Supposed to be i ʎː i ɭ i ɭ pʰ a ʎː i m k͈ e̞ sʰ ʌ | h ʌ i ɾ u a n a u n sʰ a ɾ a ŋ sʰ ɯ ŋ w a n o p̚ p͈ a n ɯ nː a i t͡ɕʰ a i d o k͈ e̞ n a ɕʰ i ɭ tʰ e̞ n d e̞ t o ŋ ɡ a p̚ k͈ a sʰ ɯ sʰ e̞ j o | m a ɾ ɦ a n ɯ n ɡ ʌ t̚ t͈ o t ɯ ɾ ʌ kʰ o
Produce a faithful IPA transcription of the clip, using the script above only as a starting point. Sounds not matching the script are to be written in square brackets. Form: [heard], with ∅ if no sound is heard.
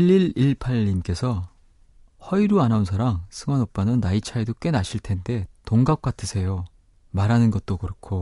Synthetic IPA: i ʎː i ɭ i ɭ pʰ a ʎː i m k͈ e̞ sʰ ʌ | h ʌ i ɾ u a n a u n sʰ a ɾ a ŋ sʰ ɯ ŋ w a n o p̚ p͈ a n ɯ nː a i t͡ɕʰ a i d o k͈ e̞ n a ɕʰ i ɭ tʰ e̞ n d e̞ t o ŋ ɡ a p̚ k͈ a [tʰ] ɯ sʰ e̞ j o | m a ɾ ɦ a n ɯ n ɡ ʌ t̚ t͈ o [k] ɯ ɾ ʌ kʰ o